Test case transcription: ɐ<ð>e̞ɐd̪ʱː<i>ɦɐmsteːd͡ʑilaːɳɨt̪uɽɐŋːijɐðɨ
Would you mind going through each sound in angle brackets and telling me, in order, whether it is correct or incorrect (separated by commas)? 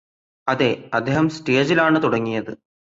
correct, incorrect